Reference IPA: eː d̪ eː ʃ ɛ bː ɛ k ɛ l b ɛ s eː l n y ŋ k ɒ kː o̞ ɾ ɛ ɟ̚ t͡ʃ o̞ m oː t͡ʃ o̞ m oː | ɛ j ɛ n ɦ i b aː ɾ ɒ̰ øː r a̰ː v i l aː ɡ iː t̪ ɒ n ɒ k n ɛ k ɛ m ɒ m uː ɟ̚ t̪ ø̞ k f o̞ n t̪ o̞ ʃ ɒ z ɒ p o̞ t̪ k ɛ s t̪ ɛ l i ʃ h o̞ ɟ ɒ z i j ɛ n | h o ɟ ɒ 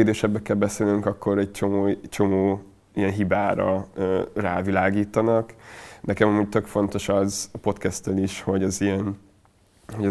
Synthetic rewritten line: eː d̪ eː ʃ ɛ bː ɛ k ɛ l b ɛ s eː l n y ŋ k ɒ kː o̞ ɾ ɛ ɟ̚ t͡ʃ o̞ m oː t͡ʃ o̞ m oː | i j ɛ n ɦ i b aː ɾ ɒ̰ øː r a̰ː v i l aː ɡ iː t̪ ɒ n ɒ k n ɛ k ɛ m ɒ m uː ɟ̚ t̪ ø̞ k f o̞ n t̪ o̞ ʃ ɒ z ɒ p o̞ t̪ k ɛ s t̪ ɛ l i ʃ h o̞ ɟ ɒ z i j ɛ n | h o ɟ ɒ